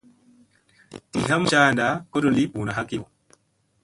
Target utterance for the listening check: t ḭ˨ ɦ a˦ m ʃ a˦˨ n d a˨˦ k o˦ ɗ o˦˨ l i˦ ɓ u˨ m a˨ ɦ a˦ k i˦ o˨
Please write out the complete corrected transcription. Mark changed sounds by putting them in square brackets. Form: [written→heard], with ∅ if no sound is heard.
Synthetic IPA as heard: t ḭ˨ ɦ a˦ m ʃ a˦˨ n d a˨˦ k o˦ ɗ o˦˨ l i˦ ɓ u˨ [m→n] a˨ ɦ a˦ k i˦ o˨